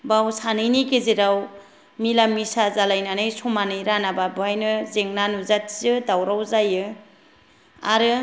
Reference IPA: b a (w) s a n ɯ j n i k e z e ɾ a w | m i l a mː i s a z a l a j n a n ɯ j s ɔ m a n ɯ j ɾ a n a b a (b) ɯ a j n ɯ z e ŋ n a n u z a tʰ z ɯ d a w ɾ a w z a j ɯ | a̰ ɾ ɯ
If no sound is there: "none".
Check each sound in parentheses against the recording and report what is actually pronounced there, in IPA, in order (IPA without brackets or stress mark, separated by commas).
w, b